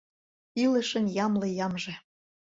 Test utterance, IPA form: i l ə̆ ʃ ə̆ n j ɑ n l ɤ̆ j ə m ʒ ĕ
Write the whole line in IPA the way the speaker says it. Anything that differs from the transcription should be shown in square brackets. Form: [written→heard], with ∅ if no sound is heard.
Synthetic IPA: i l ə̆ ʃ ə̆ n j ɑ [n→m] l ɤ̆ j [ə→ɑ] m ʒ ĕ